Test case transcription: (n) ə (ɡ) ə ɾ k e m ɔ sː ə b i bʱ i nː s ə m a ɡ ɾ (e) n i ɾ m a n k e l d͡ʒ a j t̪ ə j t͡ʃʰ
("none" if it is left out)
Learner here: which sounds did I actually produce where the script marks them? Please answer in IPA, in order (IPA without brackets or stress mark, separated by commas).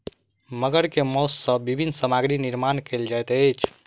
m, ɡ, i